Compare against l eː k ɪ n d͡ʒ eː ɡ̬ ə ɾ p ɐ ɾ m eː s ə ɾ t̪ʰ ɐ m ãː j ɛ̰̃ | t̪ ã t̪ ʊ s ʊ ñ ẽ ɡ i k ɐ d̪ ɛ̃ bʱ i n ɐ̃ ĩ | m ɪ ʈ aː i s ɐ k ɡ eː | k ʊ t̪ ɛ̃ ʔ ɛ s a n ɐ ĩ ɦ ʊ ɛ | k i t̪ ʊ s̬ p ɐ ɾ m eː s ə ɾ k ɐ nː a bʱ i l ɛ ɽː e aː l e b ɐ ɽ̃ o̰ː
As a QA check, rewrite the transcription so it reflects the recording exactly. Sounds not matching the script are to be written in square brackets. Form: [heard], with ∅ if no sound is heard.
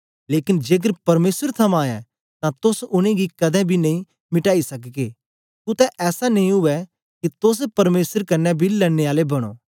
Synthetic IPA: l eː k ɪ n d͡ʒ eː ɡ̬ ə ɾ p ɐ ɾ m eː s ə ɾ t̪ʰ ɐ m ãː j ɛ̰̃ | t̪ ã t̪ ʊ s ʊ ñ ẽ ɡ i k ɐ d̪ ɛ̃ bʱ i n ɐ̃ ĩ | m ɪ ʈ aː i s ɐ k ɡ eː | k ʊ t̪ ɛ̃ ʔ [ɛː] s a n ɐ ĩ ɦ ʊ ɛ | k i t̪ ʊ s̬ p ɐ ɾ m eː s ə ɾ k ɐ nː [ɛ] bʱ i l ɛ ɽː e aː l e b ɐ ɽ̃ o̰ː